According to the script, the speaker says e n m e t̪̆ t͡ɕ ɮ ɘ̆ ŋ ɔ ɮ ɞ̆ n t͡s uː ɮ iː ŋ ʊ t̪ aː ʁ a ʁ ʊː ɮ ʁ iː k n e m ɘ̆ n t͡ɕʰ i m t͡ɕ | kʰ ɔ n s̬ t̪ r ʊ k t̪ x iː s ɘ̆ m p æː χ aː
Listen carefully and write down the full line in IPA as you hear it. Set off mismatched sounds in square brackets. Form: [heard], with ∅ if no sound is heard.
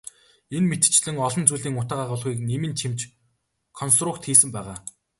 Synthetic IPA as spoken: e n m e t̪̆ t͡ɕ ɮ ɘ̆ ŋ ɔ ɮ ɞ̆ n t͡s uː ɮ iː ŋ ʊ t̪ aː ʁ a ʁ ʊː ɮ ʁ iː k n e m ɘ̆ n t͡ɕʰ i m t͡ɕ | kʰ ɔ n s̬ t̪ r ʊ k t̪ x iː s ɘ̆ m p æː [ʁ] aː